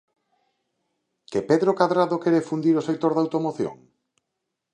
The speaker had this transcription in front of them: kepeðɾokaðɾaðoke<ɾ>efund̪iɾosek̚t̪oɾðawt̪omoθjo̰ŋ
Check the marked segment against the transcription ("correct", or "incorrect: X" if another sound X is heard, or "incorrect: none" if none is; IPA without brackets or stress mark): correct